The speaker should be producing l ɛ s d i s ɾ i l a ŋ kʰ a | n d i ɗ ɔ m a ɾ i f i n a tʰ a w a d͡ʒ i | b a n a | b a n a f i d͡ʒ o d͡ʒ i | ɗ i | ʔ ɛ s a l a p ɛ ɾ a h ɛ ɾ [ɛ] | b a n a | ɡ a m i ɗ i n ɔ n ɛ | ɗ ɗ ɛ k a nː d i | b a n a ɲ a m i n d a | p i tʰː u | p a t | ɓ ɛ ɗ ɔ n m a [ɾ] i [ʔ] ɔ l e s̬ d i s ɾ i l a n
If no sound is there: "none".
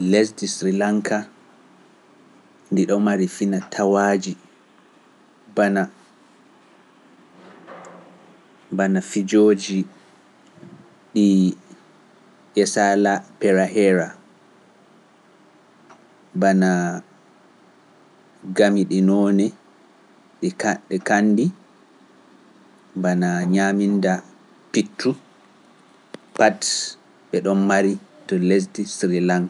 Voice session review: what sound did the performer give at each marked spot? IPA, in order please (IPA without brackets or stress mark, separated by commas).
a, ɾ, t